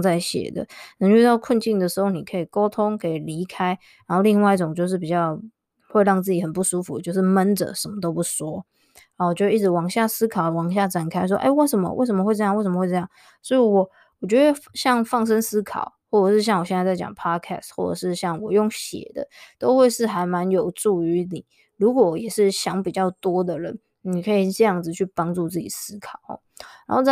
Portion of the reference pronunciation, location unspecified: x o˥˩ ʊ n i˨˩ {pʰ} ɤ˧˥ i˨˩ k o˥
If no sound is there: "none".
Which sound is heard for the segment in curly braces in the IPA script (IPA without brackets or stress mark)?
kʰ